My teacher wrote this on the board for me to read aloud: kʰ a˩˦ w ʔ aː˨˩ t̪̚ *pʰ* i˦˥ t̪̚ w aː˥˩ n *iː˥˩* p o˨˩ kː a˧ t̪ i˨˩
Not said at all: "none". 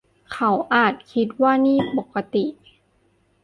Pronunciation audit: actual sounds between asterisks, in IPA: kʰ, iː˥˩

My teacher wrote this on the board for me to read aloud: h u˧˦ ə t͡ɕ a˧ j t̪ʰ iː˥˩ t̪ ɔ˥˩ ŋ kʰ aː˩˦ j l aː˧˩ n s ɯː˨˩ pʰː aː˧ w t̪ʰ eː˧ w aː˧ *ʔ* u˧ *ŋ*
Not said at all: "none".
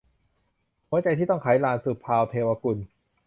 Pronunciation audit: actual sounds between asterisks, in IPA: k, n

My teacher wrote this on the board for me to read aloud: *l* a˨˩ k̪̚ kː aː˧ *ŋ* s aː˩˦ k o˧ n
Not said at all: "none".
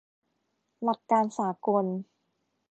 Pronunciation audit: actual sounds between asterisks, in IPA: l, n

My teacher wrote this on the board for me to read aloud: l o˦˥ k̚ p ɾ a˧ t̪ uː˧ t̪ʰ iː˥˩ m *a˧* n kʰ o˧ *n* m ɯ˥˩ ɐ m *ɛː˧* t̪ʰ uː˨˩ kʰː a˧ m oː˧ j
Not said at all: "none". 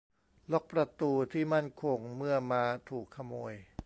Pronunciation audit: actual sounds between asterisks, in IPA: a˥˩, ŋ, aː˧

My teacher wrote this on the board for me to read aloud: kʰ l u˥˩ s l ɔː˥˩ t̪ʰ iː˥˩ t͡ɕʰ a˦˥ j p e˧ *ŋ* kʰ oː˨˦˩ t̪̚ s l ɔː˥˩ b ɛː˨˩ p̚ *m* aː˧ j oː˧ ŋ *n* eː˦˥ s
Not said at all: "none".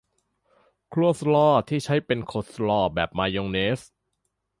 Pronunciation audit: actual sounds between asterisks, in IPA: n, m, n

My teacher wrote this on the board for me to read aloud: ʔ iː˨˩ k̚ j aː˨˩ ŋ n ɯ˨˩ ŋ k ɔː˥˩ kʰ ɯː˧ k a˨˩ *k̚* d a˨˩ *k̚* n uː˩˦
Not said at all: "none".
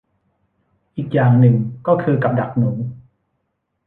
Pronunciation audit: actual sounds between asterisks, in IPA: p̚, k̚

